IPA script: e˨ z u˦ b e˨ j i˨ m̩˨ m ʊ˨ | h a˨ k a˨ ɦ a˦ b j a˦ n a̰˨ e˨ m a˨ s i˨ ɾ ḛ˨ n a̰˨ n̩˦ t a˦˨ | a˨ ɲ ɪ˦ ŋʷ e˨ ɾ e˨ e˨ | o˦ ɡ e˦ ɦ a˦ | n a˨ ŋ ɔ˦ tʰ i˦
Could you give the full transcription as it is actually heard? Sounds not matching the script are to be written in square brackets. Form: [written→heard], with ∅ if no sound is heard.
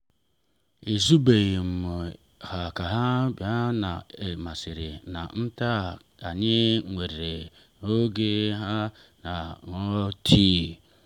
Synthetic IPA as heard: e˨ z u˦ b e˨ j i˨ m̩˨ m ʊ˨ | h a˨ k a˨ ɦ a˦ b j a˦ n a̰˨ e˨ m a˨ s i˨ ɾ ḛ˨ n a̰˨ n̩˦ t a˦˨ | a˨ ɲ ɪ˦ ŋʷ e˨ ɾ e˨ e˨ | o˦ ɡ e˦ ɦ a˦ | n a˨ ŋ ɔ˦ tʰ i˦

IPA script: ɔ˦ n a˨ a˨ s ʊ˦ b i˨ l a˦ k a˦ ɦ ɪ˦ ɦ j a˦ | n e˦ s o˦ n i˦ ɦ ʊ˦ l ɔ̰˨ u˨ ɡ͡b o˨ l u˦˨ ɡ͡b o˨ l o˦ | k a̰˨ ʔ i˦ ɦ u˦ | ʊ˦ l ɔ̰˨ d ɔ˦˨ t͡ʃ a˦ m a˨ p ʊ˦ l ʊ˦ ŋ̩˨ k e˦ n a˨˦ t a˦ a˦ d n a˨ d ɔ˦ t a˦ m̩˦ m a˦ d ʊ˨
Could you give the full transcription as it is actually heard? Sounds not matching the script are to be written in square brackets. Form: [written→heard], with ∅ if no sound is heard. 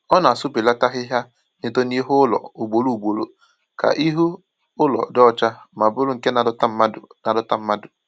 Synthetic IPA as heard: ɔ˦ n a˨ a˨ s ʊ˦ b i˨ l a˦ [k→t] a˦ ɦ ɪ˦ ɦ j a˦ | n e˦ [s→t] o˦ n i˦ ɦ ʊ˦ l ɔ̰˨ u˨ ɡ͡b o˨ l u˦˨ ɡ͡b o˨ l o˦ | k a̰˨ ʔ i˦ ɦ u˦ | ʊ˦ l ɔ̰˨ d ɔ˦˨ t͡ʃ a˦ m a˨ [p→b] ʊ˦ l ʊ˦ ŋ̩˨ k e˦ n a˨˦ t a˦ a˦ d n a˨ d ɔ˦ t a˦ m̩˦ m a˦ d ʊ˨

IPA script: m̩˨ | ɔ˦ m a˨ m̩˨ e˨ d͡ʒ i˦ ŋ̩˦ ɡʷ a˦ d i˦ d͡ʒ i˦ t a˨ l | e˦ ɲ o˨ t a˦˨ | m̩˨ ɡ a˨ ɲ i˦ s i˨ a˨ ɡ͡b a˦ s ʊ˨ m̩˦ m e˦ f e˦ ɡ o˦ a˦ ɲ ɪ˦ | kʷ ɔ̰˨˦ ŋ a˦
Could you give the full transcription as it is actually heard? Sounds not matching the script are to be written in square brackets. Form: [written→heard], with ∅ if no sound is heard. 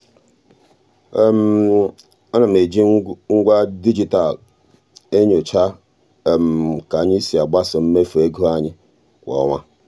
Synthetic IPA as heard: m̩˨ | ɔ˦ [m→n] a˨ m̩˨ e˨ d͡ʒ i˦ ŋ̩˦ ɡʷ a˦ d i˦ d͡ʒ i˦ t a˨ l | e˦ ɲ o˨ [t→t͡ʃ] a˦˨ | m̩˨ [ɡ→k] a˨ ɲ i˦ s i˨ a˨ ɡ͡b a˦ s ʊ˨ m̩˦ m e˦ f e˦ ɡ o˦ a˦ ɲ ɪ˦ | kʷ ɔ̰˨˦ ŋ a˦

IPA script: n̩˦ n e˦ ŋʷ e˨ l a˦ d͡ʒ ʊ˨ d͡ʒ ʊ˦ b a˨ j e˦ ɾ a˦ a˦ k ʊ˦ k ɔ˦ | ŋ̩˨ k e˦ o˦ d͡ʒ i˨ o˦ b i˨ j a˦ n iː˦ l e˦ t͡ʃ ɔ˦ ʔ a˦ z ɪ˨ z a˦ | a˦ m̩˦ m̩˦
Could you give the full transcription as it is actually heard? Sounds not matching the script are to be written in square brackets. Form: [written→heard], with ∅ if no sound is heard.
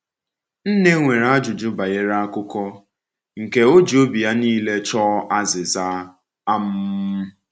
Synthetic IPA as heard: n̩˦ n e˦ ŋʷ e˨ [l→ɾ] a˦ d͡ʒ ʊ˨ d͡ʒ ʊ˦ b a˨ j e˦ ɾ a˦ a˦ k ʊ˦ k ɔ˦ | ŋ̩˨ k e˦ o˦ d͡ʒ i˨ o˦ b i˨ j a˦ n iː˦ l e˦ t͡ʃ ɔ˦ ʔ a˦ z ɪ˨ z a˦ | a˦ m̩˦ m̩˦

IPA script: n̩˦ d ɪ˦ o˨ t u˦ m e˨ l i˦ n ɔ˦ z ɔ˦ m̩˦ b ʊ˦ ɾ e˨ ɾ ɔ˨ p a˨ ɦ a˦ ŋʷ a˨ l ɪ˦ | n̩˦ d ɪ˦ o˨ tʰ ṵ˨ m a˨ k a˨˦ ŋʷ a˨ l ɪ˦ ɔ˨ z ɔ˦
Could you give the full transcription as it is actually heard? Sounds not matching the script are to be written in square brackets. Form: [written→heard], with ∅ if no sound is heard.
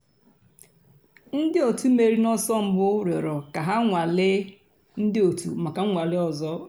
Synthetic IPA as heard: n̩˦ d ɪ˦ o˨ t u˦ m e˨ [l→ɾ] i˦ n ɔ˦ [z→s] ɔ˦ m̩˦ b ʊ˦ ɾ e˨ ɾ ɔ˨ [p→k] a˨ ɦ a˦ ŋʷ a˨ l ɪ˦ | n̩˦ d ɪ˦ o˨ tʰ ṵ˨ m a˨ k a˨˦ ŋʷ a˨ l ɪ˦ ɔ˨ z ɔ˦

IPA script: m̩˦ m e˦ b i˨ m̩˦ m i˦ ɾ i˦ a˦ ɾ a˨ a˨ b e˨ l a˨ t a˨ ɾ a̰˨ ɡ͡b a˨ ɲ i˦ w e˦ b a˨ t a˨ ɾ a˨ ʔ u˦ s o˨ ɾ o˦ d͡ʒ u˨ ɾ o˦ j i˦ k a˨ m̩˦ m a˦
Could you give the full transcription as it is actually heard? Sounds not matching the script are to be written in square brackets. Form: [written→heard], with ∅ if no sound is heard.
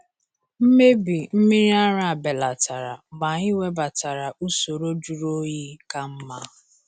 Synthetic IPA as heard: m̩˦ m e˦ b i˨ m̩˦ m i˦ ɾ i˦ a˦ ɾ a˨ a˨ b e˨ l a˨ t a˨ ɾ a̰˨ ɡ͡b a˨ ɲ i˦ w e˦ b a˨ t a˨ ɾ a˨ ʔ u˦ s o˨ ɾ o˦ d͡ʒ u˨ ɾ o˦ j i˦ k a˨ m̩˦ m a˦

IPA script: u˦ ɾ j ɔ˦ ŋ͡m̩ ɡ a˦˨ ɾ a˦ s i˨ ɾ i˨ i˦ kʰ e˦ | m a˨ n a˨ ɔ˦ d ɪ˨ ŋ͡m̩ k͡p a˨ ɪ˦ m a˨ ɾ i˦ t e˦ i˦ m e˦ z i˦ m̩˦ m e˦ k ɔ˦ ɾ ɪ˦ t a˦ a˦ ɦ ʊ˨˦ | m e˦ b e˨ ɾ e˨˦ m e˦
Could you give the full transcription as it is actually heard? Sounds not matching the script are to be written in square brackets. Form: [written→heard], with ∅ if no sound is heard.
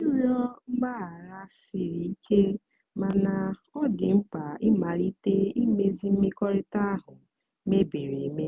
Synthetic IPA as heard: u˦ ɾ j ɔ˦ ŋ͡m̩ [ɡ→ɡ͡b] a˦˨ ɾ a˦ s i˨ ɾ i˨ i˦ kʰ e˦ | m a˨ n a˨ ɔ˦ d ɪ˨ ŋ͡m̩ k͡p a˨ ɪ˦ m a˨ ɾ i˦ t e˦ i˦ m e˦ z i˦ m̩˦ m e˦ k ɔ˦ ɾ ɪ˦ t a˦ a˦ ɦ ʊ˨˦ | m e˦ b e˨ ɾ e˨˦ m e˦

